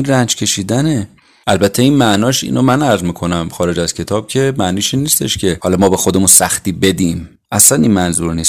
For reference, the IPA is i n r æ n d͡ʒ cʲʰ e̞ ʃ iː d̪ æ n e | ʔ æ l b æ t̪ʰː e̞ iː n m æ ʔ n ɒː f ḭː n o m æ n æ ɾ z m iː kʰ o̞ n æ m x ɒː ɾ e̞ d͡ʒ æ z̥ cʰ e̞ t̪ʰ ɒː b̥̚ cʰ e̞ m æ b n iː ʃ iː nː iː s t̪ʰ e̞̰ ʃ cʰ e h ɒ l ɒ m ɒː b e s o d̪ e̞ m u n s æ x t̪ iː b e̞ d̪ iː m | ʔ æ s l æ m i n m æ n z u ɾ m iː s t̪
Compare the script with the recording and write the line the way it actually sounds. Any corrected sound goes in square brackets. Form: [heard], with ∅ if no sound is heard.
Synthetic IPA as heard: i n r æ n d͡ʒ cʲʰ e̞ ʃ iː d̪ æ n e | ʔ æ l b æ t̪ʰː e̞ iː n m æ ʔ n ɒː [ʃ] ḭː n o m æ n æ ɾ z m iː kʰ o̞ n æ m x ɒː ɾ e̞ d͡ʒ æ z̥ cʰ e̞ t̪ʰ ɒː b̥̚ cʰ e̞ m æ [∅] n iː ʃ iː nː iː s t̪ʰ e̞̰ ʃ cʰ e h ɒ l ɒ m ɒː b e [x] o d̪ e̞ m u n s æ x t̪ iː b e̞ d̪ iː m | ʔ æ s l æ [n] i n m æ n z u ɾ [n] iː s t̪